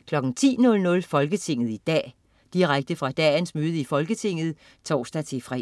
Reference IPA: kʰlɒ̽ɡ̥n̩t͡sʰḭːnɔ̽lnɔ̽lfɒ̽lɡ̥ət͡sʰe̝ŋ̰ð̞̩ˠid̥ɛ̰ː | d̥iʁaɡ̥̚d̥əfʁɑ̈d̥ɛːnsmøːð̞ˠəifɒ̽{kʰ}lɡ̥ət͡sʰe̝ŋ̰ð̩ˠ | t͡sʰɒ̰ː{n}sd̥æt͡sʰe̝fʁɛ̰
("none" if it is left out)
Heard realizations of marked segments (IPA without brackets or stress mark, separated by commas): none, none